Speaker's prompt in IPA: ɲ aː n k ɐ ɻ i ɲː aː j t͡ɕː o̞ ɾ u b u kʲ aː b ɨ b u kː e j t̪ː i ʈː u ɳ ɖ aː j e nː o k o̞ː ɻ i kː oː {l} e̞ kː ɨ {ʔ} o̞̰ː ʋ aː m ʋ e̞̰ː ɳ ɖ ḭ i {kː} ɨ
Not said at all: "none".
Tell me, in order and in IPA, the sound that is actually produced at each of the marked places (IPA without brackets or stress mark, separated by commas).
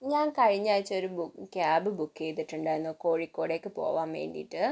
ɽ, p, ʈː